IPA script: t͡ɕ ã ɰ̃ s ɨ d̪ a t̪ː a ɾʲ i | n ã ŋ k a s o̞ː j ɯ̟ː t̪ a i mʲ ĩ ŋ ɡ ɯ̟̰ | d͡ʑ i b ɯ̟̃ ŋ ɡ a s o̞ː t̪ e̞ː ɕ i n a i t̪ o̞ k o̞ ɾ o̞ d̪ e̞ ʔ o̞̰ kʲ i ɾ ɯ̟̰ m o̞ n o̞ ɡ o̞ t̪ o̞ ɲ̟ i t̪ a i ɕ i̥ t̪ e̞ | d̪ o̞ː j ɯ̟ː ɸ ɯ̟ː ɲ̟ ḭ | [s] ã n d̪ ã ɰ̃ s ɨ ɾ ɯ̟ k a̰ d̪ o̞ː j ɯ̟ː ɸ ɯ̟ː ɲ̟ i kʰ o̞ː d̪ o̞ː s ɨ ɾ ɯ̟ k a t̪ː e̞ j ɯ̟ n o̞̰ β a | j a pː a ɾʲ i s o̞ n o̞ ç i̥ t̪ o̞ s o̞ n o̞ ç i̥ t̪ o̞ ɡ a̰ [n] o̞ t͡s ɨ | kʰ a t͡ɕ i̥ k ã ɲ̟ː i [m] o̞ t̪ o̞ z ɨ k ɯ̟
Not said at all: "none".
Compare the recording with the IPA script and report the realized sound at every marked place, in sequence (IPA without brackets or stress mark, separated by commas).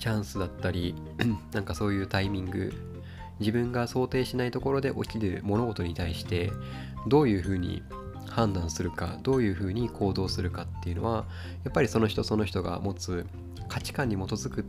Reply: h, m, m